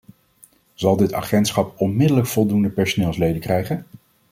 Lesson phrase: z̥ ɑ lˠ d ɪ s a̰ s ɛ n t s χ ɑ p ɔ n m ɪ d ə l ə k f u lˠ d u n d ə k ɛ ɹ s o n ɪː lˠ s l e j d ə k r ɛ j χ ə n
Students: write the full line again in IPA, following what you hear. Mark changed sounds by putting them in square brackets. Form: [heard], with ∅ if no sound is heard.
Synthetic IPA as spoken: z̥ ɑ lˠ d ɪ [t] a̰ [χ] ɛ n t s χ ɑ p ɔ n m ɪ d ə l ə k f [ɔ] lˠ d u n d ə [p] ɛ ɹ s o n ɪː lˠ s l e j d ə k r ɛ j χ ə n